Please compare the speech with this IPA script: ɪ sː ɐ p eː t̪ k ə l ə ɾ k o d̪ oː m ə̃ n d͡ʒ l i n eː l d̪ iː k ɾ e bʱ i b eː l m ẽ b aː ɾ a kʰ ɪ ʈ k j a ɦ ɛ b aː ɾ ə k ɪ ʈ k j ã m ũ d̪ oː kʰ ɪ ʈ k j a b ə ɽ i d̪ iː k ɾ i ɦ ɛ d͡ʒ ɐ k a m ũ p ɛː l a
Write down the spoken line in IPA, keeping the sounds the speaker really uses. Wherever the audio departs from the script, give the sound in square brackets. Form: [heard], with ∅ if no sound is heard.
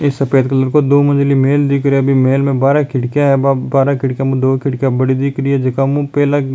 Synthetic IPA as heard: ɪ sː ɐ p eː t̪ k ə l ə ɾ k o d̪ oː m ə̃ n d͡ʒ l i [m] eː l d̪ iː k ɾ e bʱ i [m] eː l m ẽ b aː ɾ a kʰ ɪ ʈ k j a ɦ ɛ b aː ɾ [a] k ɪ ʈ k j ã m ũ d̪ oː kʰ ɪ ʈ k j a b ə ɽ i d̪ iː k ɾ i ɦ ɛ d͡ʒ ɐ k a m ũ p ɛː l a